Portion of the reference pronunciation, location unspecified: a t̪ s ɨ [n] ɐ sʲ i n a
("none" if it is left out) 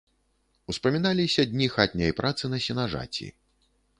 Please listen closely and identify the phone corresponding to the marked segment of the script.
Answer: n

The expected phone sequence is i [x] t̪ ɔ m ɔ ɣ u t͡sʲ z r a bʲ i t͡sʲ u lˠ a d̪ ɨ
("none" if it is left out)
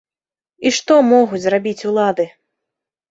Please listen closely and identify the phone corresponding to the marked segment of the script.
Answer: ʂ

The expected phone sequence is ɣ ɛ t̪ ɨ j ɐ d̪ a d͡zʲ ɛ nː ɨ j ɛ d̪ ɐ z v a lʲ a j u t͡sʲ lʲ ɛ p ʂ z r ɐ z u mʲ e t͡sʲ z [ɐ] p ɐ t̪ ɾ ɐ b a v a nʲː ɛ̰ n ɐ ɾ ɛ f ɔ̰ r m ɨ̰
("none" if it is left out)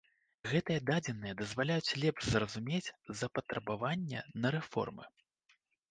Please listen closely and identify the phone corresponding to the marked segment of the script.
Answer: ɐ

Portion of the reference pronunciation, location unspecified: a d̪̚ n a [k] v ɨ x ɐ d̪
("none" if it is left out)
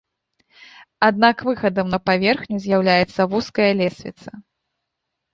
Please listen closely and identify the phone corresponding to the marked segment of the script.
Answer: k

